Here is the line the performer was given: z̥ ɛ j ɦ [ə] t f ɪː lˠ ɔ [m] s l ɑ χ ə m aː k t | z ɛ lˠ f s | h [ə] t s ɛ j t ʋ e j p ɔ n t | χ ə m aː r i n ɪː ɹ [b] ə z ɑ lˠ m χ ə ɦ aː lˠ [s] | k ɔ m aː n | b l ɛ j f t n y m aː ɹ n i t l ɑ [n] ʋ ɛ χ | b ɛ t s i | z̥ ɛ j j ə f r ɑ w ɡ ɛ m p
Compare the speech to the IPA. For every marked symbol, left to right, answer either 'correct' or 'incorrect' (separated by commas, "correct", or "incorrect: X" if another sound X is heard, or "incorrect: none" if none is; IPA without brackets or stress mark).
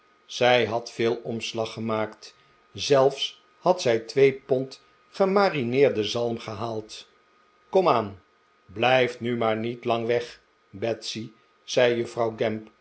incorrect: ɑ, correct, incorrect: ɑ, incorrect: d, incorrect: t, incorrect: ŋ